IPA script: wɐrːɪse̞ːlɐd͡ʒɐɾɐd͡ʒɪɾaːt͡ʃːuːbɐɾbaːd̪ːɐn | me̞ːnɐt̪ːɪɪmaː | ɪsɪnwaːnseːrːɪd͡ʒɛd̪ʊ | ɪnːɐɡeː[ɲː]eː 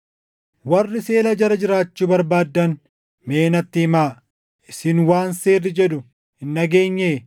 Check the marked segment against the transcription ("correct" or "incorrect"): correct